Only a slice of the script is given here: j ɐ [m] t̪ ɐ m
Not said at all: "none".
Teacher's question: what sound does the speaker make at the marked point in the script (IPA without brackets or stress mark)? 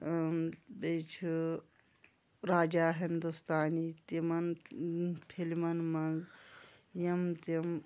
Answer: m